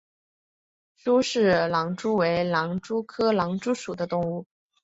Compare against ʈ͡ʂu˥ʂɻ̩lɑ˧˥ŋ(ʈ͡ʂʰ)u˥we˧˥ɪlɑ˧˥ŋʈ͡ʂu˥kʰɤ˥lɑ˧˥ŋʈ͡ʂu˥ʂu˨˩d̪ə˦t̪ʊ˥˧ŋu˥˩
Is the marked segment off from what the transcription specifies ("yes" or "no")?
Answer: yes